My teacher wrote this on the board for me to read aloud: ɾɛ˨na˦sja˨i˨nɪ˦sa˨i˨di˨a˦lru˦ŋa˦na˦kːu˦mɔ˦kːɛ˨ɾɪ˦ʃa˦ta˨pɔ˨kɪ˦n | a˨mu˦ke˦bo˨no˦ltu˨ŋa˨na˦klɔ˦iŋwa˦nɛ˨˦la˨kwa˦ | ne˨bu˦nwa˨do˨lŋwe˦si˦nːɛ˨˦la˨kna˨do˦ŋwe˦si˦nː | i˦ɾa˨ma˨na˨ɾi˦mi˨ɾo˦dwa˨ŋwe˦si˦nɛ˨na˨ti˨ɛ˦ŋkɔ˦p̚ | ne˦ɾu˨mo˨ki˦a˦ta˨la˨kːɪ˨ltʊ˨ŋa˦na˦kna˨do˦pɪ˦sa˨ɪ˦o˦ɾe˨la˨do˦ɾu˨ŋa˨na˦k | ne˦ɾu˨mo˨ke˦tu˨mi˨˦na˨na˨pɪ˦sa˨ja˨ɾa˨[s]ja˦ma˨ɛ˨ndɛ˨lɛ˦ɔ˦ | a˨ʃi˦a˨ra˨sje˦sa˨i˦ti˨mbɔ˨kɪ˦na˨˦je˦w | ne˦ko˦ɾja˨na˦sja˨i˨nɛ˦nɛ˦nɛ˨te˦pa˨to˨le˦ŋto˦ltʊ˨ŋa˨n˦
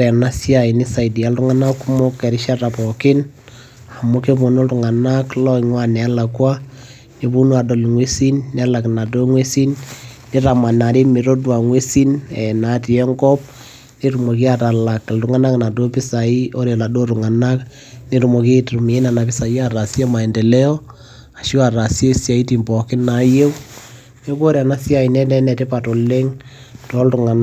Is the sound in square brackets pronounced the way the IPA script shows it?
yes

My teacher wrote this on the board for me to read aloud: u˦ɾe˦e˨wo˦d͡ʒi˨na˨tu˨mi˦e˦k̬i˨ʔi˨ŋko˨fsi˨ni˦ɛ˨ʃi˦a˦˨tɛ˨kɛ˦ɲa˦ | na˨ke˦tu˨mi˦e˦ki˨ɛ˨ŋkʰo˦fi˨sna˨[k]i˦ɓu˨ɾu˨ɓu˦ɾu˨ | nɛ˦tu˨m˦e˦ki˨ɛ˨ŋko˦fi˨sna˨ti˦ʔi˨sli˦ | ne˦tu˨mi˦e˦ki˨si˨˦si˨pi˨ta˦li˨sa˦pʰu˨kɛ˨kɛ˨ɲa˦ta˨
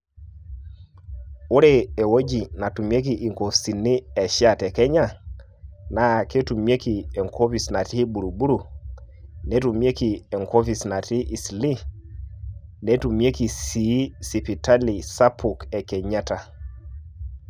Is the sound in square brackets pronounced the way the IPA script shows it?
no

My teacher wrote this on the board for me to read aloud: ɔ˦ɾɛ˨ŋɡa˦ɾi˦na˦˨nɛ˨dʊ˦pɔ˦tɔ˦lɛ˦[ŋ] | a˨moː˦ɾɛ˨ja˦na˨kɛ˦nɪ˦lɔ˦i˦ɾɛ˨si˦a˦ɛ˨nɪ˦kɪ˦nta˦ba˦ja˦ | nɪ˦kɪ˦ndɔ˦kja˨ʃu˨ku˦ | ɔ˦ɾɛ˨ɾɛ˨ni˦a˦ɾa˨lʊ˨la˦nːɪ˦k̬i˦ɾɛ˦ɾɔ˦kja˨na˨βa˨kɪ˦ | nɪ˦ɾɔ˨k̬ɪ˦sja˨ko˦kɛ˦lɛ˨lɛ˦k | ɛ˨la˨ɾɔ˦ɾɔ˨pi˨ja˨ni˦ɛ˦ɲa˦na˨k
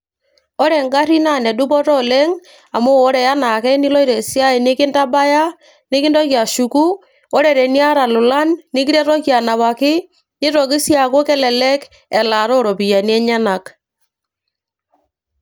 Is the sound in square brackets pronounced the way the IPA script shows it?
yes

